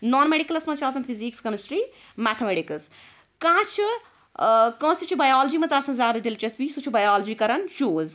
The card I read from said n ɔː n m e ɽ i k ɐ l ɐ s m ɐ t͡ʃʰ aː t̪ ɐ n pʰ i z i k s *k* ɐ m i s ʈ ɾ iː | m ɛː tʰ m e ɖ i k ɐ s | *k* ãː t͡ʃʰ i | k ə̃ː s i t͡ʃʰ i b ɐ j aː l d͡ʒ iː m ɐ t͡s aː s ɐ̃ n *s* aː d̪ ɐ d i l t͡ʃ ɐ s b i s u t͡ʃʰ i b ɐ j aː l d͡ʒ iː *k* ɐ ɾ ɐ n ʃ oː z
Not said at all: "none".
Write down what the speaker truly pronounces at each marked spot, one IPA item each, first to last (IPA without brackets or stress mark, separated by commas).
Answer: k, k, z, k